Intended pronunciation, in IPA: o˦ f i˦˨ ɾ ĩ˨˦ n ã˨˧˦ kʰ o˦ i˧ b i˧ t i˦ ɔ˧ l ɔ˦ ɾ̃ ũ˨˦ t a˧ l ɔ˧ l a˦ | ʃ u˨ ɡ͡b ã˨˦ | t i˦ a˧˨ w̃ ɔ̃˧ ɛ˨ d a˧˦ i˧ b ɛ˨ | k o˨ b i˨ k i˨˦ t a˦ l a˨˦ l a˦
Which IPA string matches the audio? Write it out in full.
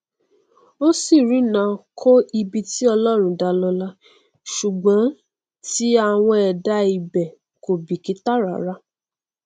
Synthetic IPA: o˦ s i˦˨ ɾ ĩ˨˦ n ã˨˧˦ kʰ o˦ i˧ b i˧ t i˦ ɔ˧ l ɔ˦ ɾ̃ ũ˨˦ d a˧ l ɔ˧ l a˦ | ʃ u˨ ɡ͡b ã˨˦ | t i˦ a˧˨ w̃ ɔ̃˧ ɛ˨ d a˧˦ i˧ b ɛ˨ | k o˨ b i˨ k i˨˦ t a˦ ɾ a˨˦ ɾ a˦